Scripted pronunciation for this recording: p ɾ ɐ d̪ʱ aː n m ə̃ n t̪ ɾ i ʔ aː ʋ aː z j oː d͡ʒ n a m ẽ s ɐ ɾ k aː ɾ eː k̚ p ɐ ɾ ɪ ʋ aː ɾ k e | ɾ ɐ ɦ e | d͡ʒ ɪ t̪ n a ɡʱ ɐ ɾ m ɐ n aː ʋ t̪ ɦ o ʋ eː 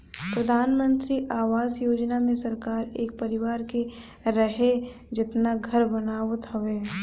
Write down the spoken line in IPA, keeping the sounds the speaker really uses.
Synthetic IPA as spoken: p ɾ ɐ d̪ʱ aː n m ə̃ n t̪ ɾ i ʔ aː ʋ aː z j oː d͡ʒ n a m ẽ s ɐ ɾ k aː ɾ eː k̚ p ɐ ɾ ɪ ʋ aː ɾ k e | ɾ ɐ ɦ e | d͡ʒ ɪ t̪ n a ɡʱ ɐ ɾ b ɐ n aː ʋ t̪ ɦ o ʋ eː